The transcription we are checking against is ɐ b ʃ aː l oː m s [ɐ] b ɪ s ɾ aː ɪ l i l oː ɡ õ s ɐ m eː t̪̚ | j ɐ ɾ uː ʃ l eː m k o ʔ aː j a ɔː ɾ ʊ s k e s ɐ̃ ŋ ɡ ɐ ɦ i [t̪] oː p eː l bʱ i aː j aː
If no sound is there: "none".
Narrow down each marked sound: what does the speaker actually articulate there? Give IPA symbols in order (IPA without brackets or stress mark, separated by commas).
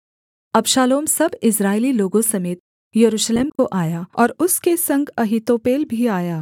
ɐ, t̪